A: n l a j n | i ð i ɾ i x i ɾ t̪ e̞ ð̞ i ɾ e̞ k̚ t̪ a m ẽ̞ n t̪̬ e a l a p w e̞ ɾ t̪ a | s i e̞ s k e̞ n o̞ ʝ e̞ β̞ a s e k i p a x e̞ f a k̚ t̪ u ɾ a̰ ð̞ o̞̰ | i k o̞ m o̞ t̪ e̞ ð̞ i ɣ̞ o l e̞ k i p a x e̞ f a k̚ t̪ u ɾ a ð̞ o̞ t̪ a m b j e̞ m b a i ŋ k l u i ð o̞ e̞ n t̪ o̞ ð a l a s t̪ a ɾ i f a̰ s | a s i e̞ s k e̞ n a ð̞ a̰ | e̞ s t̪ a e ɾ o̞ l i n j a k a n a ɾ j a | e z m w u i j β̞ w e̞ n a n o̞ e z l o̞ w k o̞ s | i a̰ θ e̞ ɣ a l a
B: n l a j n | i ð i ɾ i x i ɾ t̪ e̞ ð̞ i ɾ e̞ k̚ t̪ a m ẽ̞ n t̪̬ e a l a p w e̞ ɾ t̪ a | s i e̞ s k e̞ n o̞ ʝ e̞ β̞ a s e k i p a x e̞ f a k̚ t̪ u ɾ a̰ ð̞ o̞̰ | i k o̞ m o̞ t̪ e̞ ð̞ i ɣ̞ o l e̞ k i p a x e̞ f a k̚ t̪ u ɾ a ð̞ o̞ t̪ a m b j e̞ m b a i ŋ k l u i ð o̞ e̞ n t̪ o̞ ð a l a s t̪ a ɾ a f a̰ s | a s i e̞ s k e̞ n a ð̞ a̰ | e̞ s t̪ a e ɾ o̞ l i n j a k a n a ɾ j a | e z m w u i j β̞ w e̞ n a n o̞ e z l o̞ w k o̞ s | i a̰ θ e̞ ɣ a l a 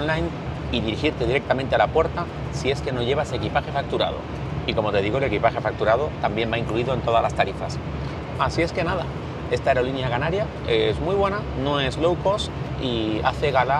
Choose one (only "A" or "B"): A